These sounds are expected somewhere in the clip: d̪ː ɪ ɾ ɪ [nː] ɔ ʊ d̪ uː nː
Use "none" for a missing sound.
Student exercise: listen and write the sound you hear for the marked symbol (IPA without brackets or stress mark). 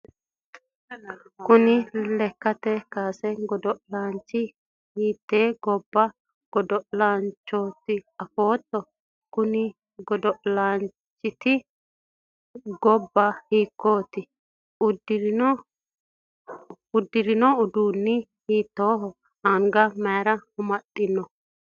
n